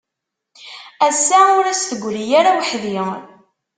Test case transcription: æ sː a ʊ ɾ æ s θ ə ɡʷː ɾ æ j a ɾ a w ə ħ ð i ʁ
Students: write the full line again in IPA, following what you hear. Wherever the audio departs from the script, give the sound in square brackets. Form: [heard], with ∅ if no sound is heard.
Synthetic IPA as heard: æ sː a ʊ ɾ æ s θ ə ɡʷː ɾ [i] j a ɾ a w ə ħ ð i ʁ